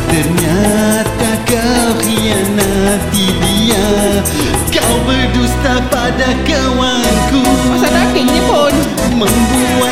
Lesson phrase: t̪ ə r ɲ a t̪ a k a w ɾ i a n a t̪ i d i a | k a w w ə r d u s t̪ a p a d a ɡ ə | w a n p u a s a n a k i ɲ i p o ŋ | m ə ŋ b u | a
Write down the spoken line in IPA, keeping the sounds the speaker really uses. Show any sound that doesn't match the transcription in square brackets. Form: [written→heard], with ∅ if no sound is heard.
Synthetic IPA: t̪ ə r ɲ a t̪ a k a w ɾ i a n a t̪ i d i a | k a w [w→b] ə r d u s t̪ a p a d a [ɡ→k] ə | w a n [p→k] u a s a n a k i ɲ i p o [ŋ→n] | m ə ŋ b u | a